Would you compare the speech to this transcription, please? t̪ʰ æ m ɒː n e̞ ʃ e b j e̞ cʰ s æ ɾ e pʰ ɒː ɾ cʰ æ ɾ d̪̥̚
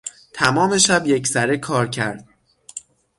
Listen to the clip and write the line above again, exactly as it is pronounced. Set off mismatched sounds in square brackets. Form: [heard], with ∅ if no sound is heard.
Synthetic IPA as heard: t̪ʰ æ m ɒː [m] e̞ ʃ [æ] b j e̞ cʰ s æ ɾ e [kʰ] ɒː ɾ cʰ æ ɾ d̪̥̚